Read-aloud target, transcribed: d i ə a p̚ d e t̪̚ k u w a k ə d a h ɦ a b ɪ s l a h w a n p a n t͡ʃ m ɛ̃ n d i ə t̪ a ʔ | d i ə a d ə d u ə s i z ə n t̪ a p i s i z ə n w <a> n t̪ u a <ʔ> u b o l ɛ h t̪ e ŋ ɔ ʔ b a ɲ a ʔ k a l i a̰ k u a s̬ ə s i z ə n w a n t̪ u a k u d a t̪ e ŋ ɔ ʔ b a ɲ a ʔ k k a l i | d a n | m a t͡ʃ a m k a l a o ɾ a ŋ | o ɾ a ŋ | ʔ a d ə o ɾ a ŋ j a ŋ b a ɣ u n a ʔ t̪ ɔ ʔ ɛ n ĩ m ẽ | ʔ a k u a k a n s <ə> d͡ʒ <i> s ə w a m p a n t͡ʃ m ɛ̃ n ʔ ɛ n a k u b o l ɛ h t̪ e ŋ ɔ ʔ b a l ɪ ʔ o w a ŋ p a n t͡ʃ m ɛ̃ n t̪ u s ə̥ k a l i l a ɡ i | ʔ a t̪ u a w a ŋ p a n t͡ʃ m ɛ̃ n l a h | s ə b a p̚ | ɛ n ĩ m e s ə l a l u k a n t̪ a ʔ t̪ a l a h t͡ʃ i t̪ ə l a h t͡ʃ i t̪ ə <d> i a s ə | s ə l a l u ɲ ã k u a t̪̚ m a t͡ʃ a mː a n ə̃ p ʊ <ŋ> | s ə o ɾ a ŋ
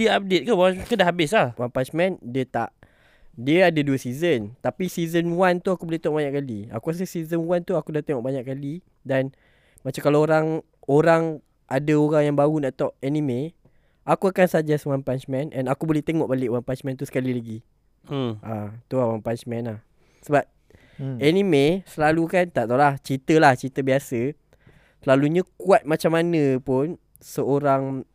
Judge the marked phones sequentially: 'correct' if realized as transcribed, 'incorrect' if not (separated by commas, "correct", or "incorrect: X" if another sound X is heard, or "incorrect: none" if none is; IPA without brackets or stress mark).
correct, incorrect: k, incorrect: a, incorrect: a, incorrect: b, incorrect: n